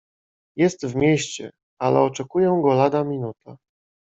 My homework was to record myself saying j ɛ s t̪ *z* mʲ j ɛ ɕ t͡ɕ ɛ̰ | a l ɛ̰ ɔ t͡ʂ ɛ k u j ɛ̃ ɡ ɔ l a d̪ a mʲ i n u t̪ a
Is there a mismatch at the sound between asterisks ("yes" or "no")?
yes